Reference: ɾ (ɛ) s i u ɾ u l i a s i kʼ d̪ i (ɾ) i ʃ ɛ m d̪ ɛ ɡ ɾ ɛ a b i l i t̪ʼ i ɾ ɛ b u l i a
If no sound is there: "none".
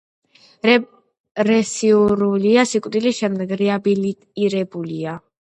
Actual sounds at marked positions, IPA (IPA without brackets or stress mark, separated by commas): ɛ, l